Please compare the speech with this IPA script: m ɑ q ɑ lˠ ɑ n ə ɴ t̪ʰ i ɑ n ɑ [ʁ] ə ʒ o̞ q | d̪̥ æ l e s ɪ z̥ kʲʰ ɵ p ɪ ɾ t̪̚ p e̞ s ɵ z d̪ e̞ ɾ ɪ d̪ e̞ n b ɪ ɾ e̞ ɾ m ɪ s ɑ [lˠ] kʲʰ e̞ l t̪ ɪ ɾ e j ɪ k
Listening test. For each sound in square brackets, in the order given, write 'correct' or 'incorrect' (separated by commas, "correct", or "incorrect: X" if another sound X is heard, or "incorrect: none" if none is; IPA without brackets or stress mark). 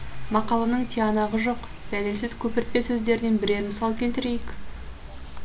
correct, correct